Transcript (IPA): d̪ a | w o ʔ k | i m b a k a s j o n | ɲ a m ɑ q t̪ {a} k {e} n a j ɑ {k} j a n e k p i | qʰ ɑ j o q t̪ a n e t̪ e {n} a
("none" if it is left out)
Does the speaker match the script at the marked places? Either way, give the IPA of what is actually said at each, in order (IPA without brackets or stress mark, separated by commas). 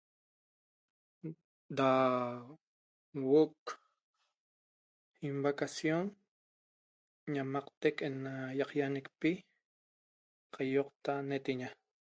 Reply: e, e, q, ɲ